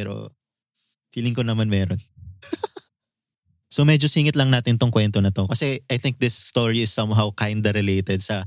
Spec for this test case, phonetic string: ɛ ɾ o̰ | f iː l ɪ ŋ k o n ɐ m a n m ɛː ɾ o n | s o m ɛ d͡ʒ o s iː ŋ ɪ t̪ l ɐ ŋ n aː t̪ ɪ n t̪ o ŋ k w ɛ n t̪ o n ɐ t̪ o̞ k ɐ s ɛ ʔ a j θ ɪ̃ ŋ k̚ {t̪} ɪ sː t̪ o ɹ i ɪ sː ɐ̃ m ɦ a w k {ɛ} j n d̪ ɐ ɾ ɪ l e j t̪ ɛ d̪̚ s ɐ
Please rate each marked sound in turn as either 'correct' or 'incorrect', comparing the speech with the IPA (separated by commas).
incorrect, incorrect